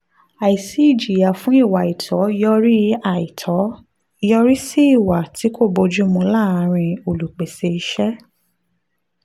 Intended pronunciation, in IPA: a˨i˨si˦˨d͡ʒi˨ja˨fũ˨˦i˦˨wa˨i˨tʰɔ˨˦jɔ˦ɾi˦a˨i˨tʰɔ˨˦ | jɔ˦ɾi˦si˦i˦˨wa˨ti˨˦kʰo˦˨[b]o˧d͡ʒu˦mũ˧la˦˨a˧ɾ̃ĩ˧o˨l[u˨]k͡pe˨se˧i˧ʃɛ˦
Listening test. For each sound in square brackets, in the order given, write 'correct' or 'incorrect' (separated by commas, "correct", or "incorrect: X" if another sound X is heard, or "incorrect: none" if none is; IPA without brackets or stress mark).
correct, correct